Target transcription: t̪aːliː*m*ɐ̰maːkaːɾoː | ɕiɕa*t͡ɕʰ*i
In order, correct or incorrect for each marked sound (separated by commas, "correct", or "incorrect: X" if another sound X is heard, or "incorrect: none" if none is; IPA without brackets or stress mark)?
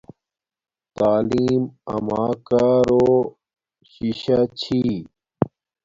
correct, correct